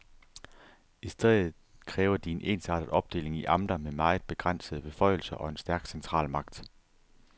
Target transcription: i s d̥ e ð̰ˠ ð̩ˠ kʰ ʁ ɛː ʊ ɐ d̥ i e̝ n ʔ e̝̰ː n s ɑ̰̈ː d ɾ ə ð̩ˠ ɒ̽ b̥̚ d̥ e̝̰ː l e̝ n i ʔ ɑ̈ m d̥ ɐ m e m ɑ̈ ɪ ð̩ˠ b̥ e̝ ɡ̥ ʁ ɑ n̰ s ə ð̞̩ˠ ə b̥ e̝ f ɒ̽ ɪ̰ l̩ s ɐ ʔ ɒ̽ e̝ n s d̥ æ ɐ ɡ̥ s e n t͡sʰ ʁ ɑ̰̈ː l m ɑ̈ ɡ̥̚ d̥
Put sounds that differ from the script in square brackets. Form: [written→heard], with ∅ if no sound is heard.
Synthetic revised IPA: i s d̥ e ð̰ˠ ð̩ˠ kʰ ʁ ɛː ʊ ɐ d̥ i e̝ n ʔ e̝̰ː n s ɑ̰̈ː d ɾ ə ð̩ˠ ɒ̽ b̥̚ d̥ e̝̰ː l e̝ [n→ŋ] i ʔ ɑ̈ m d̥ ɐ m e m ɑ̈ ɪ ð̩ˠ b̥ e̝ ɡ̥ ʁ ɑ n̰ s ə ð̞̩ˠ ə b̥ e̝ f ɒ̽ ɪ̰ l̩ s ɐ ʔ ɒ̽ e̝ n s d̥ æ ɐ ɡ̥ s e n t͡sʰ ʁ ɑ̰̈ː l m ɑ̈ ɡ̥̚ d̥